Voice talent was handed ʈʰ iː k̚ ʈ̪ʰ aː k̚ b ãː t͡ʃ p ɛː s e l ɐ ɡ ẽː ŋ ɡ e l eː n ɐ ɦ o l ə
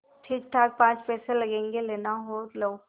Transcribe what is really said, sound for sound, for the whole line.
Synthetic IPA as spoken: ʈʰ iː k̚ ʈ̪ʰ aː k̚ p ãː t͡ʃ p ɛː s e l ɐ ɡ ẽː ŋ ɡ e l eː n a ɦ o l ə